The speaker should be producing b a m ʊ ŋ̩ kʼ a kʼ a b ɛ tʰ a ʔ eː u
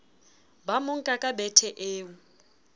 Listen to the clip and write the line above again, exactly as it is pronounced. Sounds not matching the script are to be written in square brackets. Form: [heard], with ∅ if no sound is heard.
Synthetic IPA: b a m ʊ ŋ̩ kʼ a kʼ a b ɛ tʰ [ɛ] ʔ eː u

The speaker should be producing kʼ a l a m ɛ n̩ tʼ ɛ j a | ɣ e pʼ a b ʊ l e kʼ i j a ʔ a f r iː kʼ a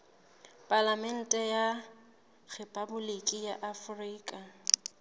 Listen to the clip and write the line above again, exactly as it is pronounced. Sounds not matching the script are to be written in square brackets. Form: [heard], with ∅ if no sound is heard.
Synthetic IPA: [pʼ] a l a m ɛ n̩ tʼ ɛ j a | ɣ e pʼ a b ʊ l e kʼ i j a ʔ a f r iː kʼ a

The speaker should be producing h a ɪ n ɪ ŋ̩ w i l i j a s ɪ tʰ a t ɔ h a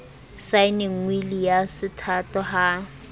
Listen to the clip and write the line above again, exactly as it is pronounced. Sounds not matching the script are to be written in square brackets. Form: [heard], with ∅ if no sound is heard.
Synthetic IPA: [s] a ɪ n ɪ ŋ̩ w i l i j a s ɪ tʰ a t ɔ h a

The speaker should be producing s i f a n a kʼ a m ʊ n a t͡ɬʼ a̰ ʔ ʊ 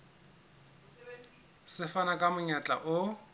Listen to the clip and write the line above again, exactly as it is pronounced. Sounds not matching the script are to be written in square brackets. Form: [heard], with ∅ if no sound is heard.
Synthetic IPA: s [ɪ] f a n a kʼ a m ʊ [ɲ] a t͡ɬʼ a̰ ʔ ʊ

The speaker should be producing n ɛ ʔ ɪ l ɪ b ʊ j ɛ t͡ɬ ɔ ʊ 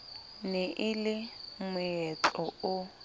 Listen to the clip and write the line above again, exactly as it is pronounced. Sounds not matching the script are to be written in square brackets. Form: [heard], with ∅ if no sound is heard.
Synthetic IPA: n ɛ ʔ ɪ l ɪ [m] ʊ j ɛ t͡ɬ ɔ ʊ

